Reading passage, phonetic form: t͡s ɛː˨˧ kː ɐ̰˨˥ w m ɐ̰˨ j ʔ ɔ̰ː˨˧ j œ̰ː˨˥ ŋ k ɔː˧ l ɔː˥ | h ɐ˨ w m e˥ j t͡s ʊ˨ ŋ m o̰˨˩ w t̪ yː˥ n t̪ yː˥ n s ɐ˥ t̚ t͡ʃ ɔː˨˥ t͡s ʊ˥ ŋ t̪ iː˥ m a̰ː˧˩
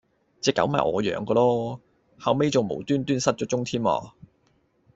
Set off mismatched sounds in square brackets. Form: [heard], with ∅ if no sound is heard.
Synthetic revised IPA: t͡s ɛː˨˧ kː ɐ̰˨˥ w m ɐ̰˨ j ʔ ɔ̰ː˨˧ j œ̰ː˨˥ ŋ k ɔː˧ l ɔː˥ | h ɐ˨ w m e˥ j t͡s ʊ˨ ŋ m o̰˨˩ w t̪ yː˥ n t̪ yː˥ n s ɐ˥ t̚ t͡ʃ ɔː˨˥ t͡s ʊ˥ ŋ [t̪ʰ] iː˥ m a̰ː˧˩